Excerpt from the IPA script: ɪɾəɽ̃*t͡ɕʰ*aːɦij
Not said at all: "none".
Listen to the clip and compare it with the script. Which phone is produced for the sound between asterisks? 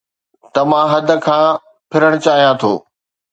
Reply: t͡ɕ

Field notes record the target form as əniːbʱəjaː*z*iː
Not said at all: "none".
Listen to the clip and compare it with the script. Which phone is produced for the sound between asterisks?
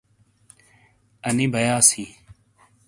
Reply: s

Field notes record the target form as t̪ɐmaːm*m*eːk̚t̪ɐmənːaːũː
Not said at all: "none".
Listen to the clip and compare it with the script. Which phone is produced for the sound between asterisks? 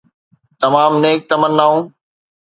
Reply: n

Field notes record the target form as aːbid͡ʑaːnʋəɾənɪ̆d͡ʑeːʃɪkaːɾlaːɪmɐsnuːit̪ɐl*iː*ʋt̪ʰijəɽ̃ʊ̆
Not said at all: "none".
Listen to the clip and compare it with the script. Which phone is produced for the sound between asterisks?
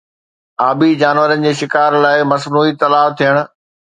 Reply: aː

